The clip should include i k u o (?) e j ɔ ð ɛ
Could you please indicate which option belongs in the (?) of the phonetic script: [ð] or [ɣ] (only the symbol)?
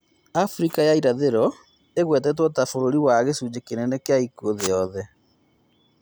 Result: ð